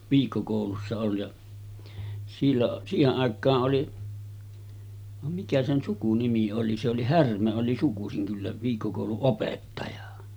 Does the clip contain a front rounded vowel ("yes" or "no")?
yes